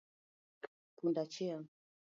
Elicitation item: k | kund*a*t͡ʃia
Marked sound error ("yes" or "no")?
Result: no